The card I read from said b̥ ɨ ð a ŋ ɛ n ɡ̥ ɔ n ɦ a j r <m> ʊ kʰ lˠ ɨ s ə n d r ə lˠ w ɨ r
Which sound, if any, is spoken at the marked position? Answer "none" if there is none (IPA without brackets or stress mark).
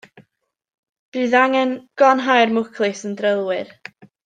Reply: m